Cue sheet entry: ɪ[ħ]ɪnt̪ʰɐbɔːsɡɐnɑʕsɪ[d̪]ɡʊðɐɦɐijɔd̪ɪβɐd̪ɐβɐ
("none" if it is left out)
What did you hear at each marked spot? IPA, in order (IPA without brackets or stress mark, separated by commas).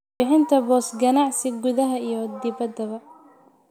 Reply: ħ, none